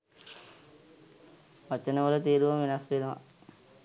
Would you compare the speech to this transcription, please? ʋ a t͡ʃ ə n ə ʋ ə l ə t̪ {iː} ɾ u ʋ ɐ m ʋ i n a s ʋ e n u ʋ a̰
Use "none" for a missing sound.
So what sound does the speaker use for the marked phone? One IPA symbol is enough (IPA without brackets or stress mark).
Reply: iː